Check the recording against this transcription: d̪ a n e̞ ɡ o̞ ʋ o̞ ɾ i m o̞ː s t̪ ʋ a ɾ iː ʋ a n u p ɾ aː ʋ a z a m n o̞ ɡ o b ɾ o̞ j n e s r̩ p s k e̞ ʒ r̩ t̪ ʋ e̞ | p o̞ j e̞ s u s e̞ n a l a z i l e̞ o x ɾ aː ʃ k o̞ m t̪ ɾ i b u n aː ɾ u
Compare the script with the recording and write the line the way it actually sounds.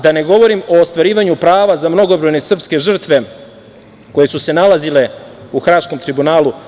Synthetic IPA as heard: d̪ a n e̞ ɡ o̞ ʋ o̞ ɾ i m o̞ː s t̪ ʋ a ɾ iː ʋ a ɲ u p ɾ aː ʋ a z a m n o̞ ɡ o b ɾ o̞ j n e s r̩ p s k e̞ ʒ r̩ t̪ ʋ e̞ | k o̞ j e̞ s u s e̞ n a l a z i l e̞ u x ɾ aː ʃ k o̞ m t̪ ɾ i b u n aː l u